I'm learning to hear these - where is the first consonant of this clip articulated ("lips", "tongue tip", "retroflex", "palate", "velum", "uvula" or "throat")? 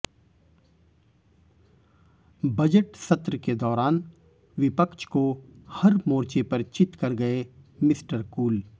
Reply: lips